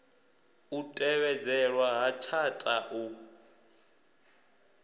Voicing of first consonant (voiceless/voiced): voiceless